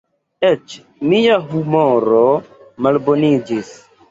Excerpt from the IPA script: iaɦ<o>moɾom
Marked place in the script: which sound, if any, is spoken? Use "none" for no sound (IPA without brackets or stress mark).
u